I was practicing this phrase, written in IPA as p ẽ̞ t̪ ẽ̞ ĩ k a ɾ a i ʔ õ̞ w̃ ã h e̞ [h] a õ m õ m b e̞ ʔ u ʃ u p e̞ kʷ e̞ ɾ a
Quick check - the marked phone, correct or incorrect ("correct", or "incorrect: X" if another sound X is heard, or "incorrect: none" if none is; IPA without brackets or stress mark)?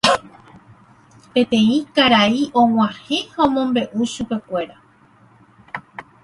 correct